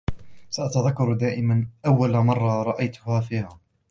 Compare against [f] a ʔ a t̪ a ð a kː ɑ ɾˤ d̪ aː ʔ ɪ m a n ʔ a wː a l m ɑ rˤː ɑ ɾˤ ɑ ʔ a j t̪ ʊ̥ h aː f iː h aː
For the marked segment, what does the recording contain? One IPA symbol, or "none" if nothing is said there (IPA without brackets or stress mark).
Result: s